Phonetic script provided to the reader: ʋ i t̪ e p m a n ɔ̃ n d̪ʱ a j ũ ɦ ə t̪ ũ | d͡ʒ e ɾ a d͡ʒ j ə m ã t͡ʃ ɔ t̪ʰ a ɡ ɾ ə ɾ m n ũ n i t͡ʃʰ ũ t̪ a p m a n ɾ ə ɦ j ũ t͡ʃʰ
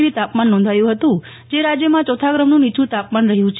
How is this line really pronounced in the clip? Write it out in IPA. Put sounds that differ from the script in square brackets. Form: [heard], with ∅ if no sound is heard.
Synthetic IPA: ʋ i t̪ [a] p m a [nː] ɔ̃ n d̪ʱ a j ũ ɦ ə t̪ ũ | d͡ʒ e ɾ a d͡ʒ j ə m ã t͡ʃ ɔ t̪ʰ a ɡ ɾ ə [∅] m n ũ n i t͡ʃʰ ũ t̪ a p m a n ɾ ə ɦ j ũ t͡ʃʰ